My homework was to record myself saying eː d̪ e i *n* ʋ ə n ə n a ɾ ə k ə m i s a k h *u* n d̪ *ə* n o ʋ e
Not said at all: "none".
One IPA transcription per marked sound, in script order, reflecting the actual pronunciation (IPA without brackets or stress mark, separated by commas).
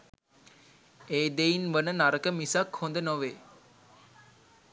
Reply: n, o, ə